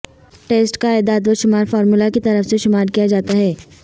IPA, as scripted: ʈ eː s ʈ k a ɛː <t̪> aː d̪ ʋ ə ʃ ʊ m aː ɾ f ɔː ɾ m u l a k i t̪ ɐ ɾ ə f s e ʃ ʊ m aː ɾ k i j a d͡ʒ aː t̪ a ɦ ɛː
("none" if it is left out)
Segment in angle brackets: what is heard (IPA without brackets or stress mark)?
d̪